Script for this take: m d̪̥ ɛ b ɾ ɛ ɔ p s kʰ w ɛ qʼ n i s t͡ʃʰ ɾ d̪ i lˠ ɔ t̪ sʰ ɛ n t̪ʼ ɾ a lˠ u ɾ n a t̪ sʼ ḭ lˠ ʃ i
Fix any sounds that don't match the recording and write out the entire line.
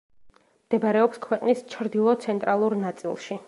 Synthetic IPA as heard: m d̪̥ ɛ b ɾ ɛ ɔ p s kʰ w ɛ qʼ n i s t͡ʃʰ ɾ d̪ i lˠ ɔ t̪ sʰ ɛ n t̪ʼ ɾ a lˠ u ɾ n a t̪ sʼ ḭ lˠ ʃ i